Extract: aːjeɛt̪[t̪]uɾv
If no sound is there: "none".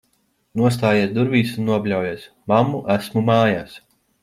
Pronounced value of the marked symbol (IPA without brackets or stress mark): d̪